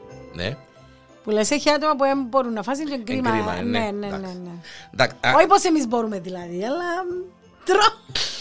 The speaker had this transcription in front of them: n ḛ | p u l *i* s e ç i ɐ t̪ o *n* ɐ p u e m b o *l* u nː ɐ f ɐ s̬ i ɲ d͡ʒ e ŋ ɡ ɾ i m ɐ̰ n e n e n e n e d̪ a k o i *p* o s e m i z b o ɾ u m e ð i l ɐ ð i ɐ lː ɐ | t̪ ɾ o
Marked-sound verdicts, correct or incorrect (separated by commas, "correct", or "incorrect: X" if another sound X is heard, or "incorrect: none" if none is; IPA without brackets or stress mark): incorrect: e, incorrect: m, incorrect: ɾ, correct